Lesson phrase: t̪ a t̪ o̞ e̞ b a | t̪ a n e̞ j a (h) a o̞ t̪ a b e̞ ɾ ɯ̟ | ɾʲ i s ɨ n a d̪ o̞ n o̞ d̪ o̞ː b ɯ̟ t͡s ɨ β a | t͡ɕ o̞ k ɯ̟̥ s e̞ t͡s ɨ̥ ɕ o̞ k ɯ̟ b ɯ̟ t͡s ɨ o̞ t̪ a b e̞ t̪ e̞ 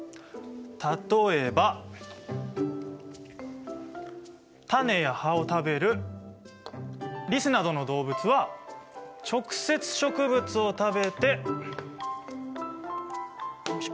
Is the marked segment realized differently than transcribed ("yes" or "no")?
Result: no